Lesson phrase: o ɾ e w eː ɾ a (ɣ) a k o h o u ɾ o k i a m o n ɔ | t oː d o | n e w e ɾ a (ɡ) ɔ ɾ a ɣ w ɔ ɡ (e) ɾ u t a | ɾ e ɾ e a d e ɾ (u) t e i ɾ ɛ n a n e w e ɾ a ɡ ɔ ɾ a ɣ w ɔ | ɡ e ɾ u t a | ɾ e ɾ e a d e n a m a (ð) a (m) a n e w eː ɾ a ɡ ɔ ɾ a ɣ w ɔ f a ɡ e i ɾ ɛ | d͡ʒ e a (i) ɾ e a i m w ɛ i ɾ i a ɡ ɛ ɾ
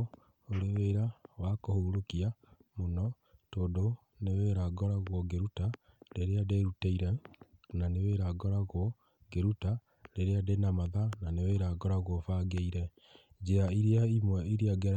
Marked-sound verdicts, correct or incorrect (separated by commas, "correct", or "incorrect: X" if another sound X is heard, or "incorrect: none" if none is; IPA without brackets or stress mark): incorrect: w, correct, correct, correct, correct, incorrect: n, correct